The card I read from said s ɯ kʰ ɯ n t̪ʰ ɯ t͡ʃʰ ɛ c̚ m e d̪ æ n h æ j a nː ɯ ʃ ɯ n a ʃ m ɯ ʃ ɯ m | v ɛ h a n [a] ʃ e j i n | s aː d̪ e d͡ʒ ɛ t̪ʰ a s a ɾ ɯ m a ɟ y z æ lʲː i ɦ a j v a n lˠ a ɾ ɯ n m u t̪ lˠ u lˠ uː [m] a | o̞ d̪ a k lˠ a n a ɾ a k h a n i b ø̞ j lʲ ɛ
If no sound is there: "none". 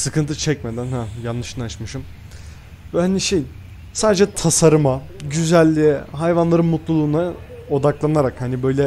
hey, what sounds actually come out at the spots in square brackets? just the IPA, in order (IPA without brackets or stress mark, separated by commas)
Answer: i, n